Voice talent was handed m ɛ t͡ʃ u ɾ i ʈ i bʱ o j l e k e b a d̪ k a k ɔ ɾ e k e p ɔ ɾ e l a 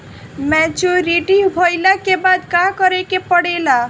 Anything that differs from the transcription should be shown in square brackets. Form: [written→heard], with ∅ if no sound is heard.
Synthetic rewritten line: m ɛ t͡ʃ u ɾ i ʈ i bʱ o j l [e→a] k e b a d̪ k a k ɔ ɾ e k e p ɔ [ɾ→ɽ] e l a